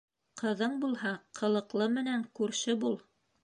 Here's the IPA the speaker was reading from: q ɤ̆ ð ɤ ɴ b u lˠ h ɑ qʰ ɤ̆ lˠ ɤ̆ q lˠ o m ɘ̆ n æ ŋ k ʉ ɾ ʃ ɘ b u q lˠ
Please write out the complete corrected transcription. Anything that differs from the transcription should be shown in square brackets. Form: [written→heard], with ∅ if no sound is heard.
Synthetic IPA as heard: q ɤ̆ ð ɤ ɴ b u lˠ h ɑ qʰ ɤ̆ lˠ ɤ̆ q lˠ [o→ɤ] m ɘ̆ n æ ŋ k ʉ ɾ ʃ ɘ b u [q→∅] lˠ